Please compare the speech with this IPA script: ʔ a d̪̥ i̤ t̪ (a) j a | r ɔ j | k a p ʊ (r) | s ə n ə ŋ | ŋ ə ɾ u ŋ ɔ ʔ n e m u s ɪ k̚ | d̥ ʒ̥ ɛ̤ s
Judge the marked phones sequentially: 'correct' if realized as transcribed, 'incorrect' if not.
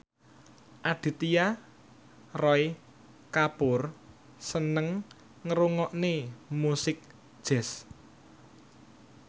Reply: incorrect: i, correct

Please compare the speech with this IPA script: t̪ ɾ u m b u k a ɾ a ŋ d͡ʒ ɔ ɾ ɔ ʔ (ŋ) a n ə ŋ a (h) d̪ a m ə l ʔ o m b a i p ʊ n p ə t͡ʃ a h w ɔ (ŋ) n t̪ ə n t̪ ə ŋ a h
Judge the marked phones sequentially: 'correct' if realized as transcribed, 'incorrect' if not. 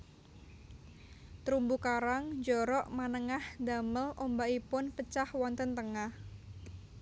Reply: incorrect: m, correct, incorrect: none

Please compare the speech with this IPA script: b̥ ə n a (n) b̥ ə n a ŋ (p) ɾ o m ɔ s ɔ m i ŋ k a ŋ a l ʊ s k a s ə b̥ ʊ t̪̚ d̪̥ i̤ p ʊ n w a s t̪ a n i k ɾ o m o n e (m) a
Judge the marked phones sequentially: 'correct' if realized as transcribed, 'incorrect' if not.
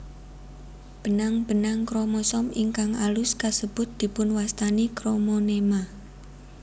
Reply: incorrect: ŋ, incorrect: k, correct

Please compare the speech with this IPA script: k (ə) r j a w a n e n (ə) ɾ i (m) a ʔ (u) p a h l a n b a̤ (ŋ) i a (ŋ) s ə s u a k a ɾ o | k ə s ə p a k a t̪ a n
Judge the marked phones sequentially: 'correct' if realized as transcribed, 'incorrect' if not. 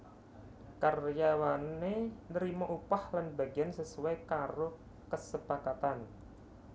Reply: incorrect: a, correct, correct, correct, incorrect: ɡ, incorrect: n

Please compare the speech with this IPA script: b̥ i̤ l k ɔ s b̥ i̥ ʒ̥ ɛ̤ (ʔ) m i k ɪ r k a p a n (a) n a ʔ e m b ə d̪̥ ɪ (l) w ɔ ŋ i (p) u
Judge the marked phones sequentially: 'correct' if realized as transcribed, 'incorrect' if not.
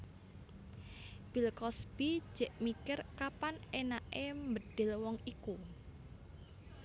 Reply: correct, incorrect: e, correct, incorrect: k

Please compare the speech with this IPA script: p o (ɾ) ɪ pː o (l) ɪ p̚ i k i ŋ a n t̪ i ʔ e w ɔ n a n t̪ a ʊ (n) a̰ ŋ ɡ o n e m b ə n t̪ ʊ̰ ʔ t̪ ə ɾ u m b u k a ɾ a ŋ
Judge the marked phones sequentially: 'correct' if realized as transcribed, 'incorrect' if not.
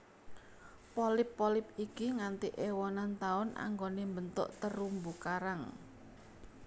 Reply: incorrect: l, correct, correct

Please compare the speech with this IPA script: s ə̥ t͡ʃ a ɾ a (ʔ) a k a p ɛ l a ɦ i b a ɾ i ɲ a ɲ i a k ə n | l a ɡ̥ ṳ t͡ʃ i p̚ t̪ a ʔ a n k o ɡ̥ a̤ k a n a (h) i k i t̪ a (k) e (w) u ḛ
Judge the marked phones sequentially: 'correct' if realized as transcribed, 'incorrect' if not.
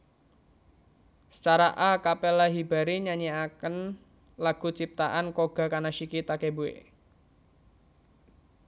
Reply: correct, incorrect: ʃ, correct, incorrect: b

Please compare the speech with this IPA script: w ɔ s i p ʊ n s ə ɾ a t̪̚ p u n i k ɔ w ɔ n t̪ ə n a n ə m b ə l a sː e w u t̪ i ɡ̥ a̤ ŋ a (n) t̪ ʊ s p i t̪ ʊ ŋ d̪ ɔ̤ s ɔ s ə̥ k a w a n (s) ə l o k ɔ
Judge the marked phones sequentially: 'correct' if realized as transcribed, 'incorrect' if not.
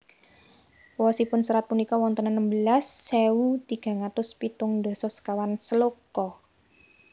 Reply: incorrect: none, correct

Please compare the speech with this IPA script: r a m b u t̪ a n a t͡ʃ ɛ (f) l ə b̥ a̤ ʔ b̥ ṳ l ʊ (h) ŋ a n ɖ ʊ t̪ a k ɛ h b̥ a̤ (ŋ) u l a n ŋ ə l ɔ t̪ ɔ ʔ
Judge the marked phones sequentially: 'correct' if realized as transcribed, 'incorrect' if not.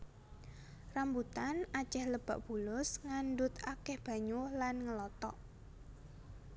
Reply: incorrect: h, incorrect: s, incorrect: ɲ

